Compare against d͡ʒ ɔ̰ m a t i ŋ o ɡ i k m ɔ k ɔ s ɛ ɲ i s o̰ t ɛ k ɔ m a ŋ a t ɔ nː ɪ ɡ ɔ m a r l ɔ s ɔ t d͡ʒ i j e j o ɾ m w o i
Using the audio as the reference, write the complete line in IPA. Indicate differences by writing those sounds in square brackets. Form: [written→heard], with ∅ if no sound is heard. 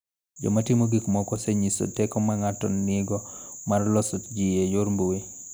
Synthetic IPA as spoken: d͡ʒ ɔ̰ m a t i [ŋ→m] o ɡ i k m ɔ k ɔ s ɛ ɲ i s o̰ t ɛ k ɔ m a ŋ a t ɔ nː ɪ ɡ ɔ m a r l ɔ s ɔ t d͡ʒ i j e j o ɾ m [w→b] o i

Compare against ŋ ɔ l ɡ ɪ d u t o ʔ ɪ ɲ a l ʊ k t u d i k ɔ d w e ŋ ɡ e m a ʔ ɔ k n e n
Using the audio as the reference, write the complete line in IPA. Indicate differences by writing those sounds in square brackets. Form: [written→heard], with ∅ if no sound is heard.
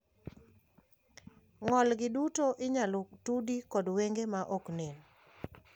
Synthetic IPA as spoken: ŋ ɔ l ɡ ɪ d u t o ʔ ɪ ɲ a l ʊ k t u d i k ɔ d w e ŋ ɡ e m a ʔ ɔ k n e n

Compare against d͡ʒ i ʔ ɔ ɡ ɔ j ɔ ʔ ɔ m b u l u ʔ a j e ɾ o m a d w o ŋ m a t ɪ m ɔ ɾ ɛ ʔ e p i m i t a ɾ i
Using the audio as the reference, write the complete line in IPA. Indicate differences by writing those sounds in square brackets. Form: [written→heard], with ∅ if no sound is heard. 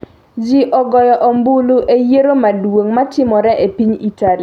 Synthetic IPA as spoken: d͡ʒ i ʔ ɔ ɡ ɔ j ɔ ʔ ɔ m b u l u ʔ [a→e] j e ɾ o m a d w o ŋ m a t ɪ m ɔ ɾ ɛ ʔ e p i [m→ɲ] i t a [ɾ→l] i

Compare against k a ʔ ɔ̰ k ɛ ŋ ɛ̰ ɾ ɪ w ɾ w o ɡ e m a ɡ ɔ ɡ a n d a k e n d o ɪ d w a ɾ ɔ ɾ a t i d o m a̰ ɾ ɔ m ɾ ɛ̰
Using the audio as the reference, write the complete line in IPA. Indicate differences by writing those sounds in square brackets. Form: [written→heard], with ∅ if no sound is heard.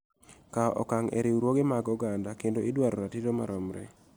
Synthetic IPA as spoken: k a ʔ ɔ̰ k [ɛ→a] ŋ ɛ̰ ɾ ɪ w ɾ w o ɡ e m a ɡ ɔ ɡ a n d a k e n d o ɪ d w a ɾ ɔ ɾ a t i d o m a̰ ɾ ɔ m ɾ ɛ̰

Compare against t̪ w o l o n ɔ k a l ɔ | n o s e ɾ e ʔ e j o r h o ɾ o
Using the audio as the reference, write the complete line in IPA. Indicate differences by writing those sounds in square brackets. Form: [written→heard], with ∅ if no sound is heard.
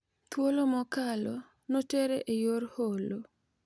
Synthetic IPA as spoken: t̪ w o l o [n→m] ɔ k a l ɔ | n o [s→t] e ɾ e ʔ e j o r h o [ɾ→l] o

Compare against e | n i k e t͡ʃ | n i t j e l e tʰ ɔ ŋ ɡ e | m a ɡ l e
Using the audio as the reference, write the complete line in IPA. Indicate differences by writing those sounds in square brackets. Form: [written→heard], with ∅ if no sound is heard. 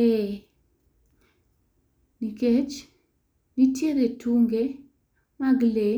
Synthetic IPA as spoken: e | n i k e t͡ʃ | n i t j e [l→ɾ] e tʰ [ɔ→u] ŋ ɡ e | m a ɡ l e

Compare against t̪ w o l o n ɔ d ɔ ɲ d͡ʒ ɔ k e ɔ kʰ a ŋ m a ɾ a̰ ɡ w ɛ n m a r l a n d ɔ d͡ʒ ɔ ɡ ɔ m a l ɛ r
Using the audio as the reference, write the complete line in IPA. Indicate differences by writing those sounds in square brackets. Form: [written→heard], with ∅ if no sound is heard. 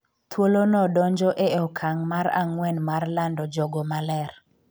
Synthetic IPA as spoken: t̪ w o l o n ɔ d ɔ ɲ d͡ʒ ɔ [k→ʔ] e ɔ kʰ a ŋ m a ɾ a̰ [ɡ→ŋ] w ɛ n m a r l a n d ɔ d͡ʒ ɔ ɡ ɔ m a l ɛ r

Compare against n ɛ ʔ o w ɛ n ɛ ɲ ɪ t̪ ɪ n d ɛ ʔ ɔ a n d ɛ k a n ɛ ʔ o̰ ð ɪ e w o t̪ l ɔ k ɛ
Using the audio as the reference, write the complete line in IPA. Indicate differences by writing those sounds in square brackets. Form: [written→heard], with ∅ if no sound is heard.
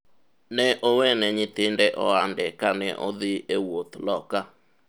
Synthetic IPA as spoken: n ɛ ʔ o w ɛ n ɛ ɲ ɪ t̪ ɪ n d ɛ ʔ ɔ a n d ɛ k a n ɛ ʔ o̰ ð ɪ e w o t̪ l ɔ k [ɛ→a]

